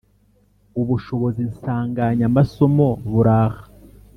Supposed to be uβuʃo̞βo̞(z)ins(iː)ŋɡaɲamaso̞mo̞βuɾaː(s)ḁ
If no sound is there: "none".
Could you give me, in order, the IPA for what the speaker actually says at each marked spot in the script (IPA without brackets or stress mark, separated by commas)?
z, aː, h